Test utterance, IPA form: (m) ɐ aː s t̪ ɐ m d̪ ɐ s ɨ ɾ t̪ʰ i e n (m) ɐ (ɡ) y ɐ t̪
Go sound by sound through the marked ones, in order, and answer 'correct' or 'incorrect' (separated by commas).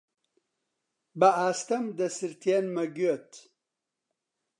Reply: incorrect, correct, correct